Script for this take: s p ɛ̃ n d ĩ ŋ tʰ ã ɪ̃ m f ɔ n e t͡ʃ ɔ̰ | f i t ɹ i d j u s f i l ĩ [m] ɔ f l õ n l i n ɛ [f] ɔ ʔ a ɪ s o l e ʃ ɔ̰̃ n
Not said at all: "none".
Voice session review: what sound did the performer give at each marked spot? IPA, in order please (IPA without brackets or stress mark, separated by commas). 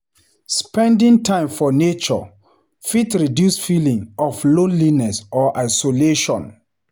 ŋ, s